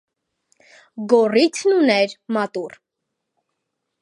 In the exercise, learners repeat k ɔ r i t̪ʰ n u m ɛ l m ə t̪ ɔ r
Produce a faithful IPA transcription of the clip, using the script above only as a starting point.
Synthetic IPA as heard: ɡ ɔ r i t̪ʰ n u n ɛ ɾ m ɑ t̪ u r